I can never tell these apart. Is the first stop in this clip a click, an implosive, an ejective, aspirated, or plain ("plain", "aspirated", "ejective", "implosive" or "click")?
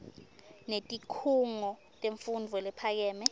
ejective